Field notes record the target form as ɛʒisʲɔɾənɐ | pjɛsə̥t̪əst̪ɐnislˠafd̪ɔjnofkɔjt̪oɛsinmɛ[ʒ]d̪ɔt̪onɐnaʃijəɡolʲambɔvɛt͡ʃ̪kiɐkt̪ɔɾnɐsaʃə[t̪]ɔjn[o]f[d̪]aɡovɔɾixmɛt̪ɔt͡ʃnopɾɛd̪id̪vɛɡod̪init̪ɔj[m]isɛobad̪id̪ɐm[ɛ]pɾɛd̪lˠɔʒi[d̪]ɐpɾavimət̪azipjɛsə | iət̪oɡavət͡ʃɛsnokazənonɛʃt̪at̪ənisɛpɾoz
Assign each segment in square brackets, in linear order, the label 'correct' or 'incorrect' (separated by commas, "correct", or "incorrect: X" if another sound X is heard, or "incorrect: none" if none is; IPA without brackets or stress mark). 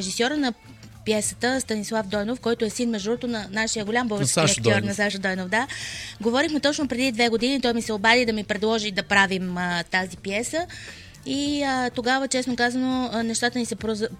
correct, incorrect: d̪, correct, correct, correct, incorrect: i, correct